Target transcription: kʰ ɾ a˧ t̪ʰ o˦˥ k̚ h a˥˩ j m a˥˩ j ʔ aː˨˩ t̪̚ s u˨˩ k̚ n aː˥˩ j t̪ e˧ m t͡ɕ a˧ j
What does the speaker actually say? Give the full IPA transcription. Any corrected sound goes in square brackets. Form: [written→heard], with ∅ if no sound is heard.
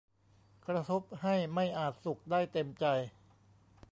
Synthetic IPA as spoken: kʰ ɾ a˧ t̪ʰ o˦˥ [k̚→p̚] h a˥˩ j m a˥˩ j ʔ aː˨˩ t̪̚ s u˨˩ k̚ [n→d] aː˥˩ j t̪ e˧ m t͡ɕ a˧ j